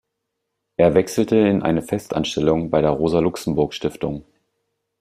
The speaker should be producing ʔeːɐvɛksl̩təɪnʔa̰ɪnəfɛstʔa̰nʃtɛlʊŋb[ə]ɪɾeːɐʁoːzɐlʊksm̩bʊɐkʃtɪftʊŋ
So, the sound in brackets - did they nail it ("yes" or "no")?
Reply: no